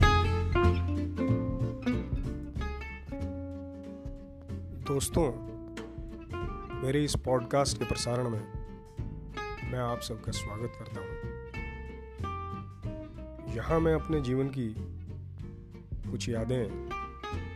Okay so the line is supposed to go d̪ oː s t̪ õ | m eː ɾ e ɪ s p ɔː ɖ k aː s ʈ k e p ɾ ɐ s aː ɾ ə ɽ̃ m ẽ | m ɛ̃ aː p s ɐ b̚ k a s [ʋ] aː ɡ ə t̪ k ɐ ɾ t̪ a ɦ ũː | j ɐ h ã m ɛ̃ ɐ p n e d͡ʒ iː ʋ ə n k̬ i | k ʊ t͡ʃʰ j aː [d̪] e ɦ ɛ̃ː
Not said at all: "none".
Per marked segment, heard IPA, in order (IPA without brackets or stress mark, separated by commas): w, d̪